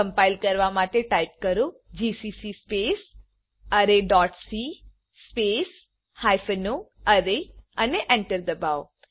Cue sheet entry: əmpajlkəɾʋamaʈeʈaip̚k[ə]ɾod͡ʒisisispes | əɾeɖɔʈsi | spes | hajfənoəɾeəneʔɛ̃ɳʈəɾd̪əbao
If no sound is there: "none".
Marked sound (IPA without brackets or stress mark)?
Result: ə